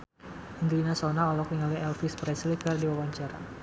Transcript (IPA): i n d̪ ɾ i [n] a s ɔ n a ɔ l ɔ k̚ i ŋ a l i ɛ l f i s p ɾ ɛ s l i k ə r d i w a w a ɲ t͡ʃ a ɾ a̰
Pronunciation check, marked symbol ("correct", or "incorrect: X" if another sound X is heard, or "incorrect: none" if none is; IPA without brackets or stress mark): correct